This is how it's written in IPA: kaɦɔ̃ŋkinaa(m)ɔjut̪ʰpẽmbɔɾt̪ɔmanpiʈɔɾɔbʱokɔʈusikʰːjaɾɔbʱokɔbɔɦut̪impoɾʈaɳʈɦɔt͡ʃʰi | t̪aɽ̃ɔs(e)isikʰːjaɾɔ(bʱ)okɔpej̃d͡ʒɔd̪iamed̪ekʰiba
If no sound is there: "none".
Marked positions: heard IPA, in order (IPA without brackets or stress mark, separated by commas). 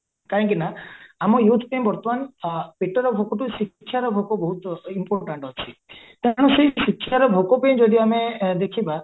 m, e, bʱ